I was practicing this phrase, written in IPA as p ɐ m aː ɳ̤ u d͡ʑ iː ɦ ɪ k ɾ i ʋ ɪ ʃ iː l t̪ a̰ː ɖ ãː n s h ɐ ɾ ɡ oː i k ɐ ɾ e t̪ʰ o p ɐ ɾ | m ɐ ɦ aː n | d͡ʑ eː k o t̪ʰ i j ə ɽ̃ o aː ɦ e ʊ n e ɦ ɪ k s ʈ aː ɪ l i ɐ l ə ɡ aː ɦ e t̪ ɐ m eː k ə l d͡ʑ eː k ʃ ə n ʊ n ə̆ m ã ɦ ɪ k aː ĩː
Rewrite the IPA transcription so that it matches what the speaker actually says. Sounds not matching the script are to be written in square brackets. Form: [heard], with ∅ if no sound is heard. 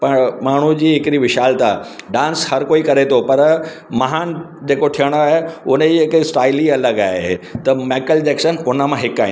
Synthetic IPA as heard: p ɐ m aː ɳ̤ u d͡ʑ iː ɦ ɪ k ɾ i ʋ ɪ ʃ [aː] l t̪ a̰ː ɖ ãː n s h ɐ ɾ [k] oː i k ɐ ɾ e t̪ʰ o p ɐ ɾ | m ɐ ɦ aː n | d͡ʑ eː k o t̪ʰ i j ə ɽ̃ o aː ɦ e ʊ n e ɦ ɪ k s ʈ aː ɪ l i ɐ l ə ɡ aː ɦ e t̪ ɐ m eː k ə l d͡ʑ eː k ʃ ə n ʊ n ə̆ m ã ɦ ɪ k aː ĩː